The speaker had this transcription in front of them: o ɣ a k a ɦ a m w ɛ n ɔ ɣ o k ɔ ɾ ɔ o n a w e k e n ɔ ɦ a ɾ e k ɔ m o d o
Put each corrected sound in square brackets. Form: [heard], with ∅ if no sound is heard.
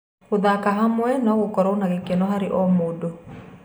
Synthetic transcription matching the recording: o [ð] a k a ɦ a m w ɛ n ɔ ɣ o k ɔ ɾ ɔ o n a [ɣ] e k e n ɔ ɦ a ɾ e [ʔ] ɔ m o d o